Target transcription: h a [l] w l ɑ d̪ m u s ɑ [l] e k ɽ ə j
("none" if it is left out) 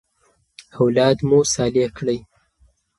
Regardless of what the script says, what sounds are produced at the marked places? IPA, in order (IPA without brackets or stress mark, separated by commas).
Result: none, l